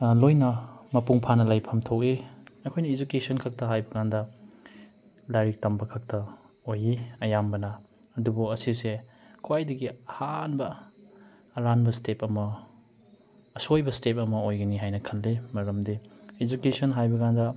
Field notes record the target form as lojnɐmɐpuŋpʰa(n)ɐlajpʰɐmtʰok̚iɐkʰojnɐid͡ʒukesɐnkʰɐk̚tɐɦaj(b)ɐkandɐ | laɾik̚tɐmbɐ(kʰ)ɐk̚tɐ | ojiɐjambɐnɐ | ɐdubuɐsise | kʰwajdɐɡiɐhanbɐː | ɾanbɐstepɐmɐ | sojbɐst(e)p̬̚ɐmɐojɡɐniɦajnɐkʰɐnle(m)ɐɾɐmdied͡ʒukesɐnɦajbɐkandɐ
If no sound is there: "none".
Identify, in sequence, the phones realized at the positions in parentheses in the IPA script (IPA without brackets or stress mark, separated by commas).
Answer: n, b, kʰ, e, m